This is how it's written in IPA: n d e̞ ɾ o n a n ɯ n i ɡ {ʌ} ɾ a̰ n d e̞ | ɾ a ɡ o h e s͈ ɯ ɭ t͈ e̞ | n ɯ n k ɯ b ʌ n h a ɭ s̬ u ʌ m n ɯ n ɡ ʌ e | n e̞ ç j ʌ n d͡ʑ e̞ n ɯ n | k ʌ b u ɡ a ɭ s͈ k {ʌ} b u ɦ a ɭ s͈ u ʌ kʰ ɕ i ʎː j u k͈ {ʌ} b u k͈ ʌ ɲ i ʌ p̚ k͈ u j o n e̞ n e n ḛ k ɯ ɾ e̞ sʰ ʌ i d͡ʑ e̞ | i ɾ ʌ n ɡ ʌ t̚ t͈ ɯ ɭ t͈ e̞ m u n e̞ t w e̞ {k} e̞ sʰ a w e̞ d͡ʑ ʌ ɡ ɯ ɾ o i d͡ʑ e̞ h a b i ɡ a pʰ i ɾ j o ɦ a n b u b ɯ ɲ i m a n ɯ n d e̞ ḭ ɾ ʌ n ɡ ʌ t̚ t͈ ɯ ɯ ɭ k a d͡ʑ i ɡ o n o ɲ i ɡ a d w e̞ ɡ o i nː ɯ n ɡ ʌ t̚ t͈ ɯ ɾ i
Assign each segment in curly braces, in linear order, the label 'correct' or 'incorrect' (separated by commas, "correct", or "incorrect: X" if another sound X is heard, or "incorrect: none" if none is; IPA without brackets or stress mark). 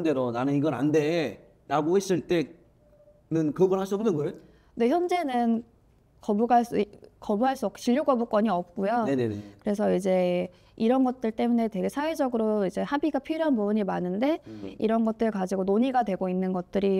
correct, correct, correct, incorrect: ɡ